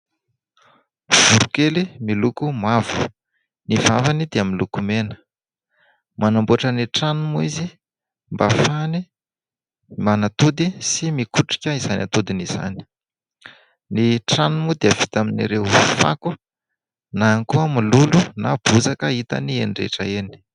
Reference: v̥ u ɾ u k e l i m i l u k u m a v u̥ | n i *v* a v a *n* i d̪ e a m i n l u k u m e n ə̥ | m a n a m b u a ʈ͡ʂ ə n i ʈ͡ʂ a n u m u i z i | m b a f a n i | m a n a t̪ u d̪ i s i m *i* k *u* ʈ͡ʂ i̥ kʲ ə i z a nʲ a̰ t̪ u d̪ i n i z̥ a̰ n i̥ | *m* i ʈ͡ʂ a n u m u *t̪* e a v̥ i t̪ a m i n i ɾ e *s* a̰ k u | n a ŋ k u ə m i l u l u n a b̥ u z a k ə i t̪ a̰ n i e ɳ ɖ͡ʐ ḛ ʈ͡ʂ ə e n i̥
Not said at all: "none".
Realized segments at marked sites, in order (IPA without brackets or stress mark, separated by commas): v, n, i, u, n, d̪, f